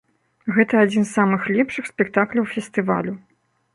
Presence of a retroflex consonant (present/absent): present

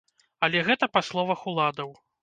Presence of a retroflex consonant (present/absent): absent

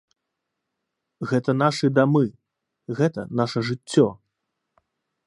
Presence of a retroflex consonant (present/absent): present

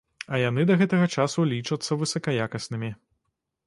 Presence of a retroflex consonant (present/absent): present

